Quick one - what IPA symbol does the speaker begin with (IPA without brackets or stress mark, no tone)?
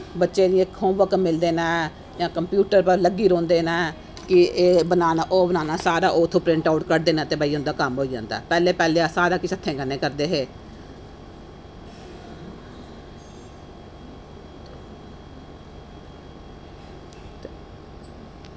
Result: b